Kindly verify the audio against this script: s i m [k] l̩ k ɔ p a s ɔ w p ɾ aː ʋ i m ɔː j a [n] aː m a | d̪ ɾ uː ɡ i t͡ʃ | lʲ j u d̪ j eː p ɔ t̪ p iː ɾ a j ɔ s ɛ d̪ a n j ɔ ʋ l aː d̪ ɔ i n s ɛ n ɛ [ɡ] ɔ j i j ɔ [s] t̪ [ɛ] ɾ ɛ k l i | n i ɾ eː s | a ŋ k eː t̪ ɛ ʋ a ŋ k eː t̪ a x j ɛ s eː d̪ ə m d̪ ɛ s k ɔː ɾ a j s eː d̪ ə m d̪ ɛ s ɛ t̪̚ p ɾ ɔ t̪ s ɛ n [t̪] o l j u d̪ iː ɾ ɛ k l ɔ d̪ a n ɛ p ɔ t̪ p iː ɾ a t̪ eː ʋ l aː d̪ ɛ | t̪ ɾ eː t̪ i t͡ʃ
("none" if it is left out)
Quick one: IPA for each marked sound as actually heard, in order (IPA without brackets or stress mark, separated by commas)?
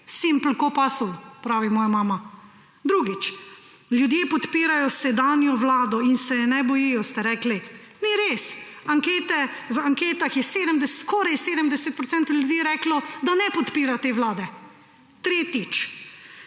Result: p, m, b, s, ɛ, t̪